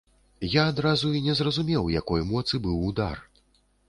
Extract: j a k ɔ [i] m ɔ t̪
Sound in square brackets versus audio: incorrect: j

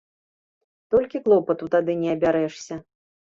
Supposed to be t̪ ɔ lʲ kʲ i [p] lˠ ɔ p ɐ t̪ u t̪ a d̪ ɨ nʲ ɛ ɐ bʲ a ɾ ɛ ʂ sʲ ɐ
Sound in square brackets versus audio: incorrect: k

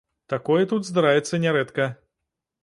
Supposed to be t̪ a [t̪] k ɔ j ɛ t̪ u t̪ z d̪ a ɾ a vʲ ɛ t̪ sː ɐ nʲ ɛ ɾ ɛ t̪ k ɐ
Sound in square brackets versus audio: incorrect: none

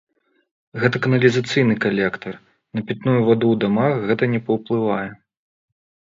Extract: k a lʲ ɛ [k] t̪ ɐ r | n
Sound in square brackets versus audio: correct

